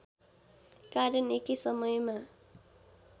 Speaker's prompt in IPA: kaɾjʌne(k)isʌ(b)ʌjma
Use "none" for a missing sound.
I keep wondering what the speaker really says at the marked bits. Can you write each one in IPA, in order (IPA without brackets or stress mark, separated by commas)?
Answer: k, m